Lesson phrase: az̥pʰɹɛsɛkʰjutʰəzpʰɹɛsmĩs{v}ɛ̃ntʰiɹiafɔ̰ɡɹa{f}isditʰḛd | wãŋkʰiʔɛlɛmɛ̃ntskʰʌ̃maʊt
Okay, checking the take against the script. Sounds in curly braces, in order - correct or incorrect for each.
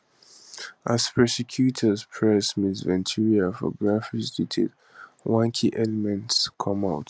correct, correct

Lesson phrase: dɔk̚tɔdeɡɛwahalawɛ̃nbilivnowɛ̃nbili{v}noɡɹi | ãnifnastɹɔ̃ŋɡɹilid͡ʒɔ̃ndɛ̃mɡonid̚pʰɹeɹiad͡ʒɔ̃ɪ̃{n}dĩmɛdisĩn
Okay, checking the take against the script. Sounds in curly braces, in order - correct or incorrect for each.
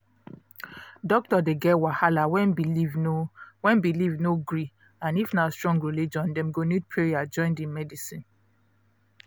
correct, correct

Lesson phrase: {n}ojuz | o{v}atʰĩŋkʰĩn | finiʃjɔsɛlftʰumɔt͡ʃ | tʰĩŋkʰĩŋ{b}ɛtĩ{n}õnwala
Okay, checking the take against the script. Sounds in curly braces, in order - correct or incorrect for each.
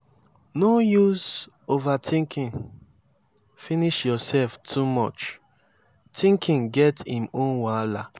correct, correct, incorrect: ɡ, incorrect: m

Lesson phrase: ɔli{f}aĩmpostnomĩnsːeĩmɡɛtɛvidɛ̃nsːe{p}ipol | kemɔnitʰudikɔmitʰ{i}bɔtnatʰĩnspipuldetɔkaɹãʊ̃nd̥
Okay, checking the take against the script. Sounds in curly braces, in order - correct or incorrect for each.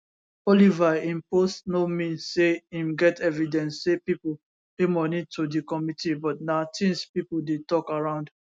incorrect: v, correct, correct

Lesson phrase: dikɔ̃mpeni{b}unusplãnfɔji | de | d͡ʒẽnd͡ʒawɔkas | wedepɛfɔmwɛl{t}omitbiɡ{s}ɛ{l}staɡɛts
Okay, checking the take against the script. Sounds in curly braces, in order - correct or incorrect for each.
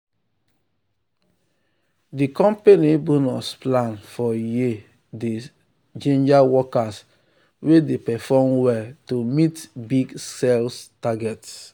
correct, correct, correct, correct

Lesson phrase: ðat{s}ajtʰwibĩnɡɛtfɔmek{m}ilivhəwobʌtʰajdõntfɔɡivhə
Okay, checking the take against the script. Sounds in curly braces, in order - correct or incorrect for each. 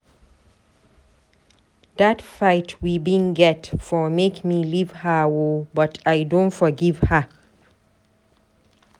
incorrect: f, correct

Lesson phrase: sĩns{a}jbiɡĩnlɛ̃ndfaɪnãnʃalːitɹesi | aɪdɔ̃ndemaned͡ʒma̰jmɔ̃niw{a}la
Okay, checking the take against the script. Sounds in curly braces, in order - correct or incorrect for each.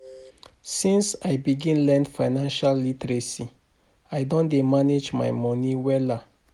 correct, incorrect: ɛ

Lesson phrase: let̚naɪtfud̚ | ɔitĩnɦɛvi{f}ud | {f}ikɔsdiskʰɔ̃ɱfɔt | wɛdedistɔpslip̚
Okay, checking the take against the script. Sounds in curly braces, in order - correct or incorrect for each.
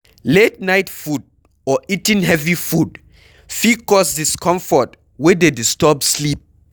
correct, correct

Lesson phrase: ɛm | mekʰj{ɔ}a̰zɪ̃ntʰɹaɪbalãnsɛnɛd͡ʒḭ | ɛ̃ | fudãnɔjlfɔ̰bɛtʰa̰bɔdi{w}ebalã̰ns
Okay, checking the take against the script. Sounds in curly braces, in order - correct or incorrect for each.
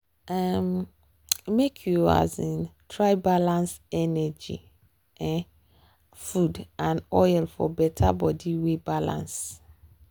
incorrect: u, correct

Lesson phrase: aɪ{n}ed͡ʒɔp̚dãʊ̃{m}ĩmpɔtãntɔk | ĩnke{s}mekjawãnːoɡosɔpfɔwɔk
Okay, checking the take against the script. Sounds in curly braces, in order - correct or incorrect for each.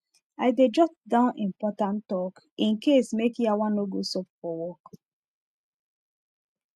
incorrect: d, incorrect: n, correct

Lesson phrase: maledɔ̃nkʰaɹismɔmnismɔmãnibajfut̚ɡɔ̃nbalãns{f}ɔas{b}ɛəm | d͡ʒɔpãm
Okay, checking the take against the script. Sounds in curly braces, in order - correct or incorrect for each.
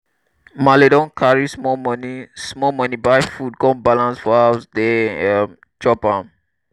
correct, incorrect: d

